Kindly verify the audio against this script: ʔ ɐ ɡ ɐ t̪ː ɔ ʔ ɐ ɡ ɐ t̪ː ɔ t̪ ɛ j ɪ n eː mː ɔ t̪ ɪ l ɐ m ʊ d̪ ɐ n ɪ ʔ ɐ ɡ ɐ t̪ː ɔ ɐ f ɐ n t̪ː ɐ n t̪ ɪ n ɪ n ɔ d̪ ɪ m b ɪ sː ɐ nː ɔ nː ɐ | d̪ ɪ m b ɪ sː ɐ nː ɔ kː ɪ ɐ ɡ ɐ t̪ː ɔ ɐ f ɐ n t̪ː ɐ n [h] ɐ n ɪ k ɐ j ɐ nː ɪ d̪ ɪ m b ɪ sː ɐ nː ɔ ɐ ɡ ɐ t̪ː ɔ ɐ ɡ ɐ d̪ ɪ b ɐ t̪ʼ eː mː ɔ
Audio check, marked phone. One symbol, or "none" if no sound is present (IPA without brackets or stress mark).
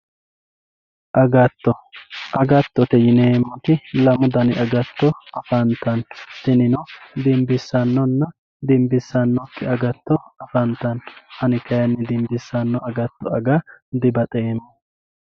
h